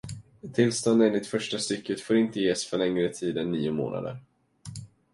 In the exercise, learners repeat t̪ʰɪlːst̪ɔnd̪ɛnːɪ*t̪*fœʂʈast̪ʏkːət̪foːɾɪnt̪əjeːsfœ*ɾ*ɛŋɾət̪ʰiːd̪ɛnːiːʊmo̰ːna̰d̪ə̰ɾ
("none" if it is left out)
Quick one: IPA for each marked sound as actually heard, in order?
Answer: t̪, ɭ

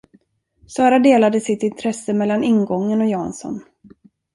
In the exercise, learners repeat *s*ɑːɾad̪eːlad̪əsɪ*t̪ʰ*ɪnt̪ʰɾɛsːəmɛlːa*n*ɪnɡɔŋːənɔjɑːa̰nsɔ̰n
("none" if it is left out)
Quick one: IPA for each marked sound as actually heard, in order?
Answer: s, t̪, n

